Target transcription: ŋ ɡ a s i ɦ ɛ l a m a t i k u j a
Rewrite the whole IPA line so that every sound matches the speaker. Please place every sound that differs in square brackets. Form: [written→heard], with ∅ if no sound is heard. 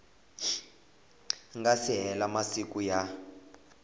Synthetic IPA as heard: ŋ ɡ a s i ɦ ɛ l a m a [t→s] i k u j a